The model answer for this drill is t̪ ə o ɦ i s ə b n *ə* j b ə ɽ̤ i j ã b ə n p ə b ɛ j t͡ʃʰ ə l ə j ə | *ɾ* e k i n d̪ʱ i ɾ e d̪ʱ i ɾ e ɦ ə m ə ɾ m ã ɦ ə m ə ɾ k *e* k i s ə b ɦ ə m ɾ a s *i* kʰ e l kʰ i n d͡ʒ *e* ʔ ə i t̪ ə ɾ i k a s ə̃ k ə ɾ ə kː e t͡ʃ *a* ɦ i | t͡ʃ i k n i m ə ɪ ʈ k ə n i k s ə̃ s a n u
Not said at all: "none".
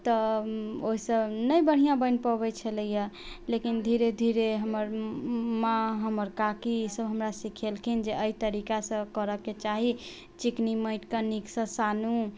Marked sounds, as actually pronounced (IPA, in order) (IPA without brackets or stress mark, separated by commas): ə, l, a, i, e, a